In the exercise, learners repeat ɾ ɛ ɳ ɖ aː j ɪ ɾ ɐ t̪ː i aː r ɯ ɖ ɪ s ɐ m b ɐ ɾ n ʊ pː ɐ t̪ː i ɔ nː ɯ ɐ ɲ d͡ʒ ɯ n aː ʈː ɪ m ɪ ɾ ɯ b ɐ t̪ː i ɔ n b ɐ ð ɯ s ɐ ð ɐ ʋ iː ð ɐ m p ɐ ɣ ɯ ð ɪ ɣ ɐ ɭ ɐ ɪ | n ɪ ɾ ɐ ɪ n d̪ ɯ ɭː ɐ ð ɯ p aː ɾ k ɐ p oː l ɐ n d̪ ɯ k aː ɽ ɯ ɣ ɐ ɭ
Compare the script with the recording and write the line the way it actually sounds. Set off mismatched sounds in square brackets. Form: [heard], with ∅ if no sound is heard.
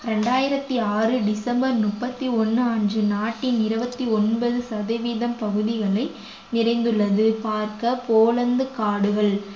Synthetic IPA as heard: ɾ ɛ ɳ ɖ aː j ɪ ɾ ɐ t̪ː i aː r ɯ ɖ ɪ s ɐ m b ɐ ɾ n ʊ pː ɐ t̪ː i ɔ nː ɯ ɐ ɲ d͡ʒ ɯ n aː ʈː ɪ [n] ɪ ɾ ɯ b ɐ t̪ː i ɔ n b ɐ ð ɯ s ɐ ð ɐ ʋ iː ð ɐ m p ɐ ɣ ɯ ð ɪ ɣ ɐ ɭ ɐ ɪ | n ɪ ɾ ɐ ɪ n d̪ ɯ ɭː ɐ ð ɯ p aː ɾ k ɐ p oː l ɐ n d̪ ɯ k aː ɽ ɯ ɣ ɐ ɭ